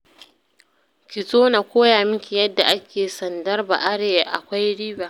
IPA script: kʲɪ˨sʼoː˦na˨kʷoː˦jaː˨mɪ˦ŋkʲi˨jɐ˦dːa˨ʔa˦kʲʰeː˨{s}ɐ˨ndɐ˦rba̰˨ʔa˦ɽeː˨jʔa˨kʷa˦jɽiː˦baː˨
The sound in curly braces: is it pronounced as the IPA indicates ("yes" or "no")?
yes